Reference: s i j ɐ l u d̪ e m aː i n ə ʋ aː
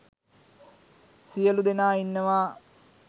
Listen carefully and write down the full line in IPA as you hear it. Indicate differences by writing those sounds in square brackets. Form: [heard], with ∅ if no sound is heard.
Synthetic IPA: s i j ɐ l u d̪ e [n] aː i [nː] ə ʋ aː